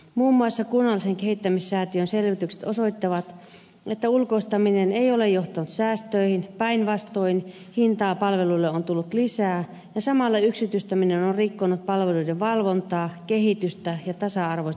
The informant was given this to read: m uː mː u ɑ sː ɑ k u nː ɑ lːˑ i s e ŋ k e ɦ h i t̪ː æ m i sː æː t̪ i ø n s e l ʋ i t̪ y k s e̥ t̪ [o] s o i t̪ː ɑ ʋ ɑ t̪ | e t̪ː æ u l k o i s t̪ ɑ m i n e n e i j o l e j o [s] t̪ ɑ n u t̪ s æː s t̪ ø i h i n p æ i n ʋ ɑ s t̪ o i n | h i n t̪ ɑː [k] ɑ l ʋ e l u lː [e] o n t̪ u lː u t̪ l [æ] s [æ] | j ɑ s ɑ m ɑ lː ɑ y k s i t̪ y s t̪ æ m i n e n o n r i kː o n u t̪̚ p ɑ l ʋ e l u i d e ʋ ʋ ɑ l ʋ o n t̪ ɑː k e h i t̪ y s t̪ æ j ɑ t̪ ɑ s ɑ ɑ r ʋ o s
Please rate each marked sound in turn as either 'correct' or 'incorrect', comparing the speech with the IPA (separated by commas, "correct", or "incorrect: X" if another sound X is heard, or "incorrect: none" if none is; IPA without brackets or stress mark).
correct, incorrect: h, incorrect: p, correct, incorrect: i, incorrect: æː